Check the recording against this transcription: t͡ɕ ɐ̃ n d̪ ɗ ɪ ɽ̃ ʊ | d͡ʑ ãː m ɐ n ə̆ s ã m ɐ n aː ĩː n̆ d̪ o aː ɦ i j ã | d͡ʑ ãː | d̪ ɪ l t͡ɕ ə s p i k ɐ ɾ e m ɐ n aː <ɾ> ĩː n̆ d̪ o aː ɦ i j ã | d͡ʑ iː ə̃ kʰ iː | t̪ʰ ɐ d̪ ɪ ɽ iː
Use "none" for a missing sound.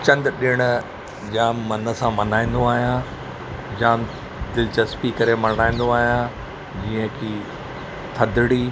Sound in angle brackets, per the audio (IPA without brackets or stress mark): none